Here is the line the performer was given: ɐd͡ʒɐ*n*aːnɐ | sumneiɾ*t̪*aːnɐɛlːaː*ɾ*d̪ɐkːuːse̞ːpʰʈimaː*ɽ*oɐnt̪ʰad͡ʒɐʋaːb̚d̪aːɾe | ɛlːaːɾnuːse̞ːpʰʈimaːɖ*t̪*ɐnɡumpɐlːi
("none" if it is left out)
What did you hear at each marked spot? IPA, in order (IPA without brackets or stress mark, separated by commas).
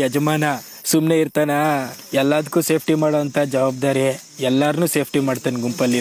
m, t̪, none, ɽ, t̪